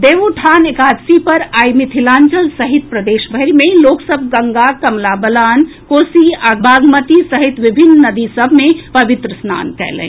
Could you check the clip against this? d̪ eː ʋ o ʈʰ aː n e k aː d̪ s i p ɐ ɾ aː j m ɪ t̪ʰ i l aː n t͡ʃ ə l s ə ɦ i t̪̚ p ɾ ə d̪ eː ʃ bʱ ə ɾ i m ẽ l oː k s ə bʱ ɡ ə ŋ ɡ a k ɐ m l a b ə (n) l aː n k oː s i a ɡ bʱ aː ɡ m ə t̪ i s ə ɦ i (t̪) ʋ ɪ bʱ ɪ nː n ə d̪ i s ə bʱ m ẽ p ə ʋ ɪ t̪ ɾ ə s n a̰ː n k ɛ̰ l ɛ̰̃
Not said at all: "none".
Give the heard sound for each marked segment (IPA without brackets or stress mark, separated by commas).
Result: none, t̪